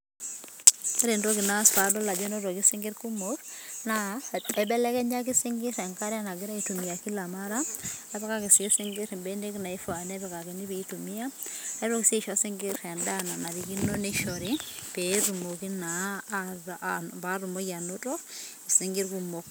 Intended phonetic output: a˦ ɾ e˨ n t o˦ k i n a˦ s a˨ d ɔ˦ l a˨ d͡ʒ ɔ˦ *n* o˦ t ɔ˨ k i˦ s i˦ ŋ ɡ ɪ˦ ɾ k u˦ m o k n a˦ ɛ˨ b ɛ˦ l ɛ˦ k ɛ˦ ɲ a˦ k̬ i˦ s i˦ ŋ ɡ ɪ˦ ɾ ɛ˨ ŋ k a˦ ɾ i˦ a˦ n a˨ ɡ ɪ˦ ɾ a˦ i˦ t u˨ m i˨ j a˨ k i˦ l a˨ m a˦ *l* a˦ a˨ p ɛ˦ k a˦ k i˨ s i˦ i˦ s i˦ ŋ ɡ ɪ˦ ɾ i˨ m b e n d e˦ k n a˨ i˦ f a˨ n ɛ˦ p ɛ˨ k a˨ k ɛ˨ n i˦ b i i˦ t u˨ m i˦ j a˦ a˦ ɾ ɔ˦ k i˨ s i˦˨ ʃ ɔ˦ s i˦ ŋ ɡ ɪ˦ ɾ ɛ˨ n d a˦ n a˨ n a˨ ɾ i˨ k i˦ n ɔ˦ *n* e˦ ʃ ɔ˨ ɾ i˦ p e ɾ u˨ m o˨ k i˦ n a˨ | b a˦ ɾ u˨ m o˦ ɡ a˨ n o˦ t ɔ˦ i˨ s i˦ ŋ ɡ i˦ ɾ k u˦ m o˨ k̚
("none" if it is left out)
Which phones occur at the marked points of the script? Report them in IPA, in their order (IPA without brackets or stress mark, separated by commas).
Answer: n, ɾ, n